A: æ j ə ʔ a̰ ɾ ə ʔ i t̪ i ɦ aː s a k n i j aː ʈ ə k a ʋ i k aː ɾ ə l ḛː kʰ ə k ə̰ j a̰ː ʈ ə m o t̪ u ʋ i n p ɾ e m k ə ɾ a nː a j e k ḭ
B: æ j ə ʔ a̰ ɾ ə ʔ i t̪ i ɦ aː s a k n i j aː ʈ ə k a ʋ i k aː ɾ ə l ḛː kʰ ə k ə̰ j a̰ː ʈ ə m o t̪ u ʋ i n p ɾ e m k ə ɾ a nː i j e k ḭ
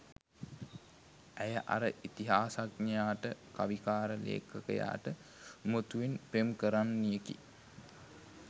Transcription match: B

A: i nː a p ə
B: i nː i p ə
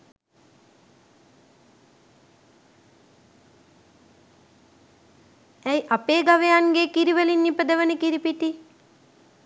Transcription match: B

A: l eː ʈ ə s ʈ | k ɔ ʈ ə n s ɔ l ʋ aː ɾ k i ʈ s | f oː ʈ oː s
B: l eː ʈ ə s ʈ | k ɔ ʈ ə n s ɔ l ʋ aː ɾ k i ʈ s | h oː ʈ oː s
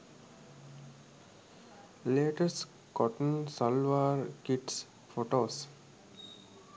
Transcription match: A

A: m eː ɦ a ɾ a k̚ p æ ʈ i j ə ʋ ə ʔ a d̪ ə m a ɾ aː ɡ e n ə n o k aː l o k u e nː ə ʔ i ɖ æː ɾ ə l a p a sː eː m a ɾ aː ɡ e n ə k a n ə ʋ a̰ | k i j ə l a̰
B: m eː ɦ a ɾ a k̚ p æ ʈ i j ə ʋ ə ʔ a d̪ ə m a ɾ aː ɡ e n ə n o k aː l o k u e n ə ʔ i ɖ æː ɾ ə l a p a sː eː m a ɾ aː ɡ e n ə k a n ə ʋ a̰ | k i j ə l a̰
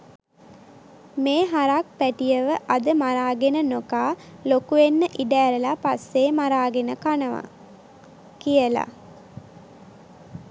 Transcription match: A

